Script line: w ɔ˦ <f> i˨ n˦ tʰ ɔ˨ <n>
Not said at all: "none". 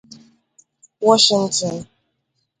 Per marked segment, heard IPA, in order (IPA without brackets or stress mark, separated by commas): ʃ, n